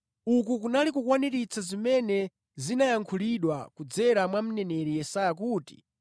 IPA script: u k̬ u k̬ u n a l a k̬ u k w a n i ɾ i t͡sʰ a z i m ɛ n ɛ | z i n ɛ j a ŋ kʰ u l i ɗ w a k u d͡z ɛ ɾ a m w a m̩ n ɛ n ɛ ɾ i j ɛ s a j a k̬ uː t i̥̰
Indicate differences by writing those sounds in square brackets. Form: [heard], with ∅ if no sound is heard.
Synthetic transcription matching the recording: u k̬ u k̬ u n a l [i] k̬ u k w a n i ɾ i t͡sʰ a z i m ɛ n ɛ | z i n [a] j a ŋ kʰ u l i ɗ w a k u d͡z ɛ ɾ a m w a m̩ n ɛ n ɛ ɾ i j ɛ s a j a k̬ uː t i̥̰